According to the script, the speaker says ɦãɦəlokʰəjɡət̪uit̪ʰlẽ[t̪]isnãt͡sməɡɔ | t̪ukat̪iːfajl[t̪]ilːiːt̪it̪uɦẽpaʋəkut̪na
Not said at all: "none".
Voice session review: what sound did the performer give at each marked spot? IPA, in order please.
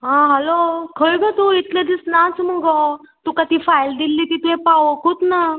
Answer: d̪, d̪

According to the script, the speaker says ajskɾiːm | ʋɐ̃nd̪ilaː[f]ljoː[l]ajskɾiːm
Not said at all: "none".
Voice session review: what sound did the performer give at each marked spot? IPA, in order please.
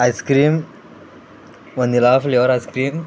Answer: f, ɾ

